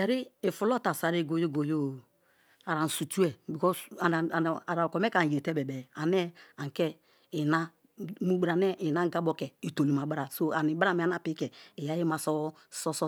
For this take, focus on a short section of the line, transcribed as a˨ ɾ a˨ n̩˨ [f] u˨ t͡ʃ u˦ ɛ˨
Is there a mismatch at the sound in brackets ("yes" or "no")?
yes